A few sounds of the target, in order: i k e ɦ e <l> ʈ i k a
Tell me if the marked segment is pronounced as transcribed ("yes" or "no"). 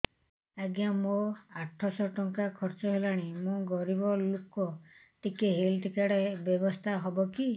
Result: yes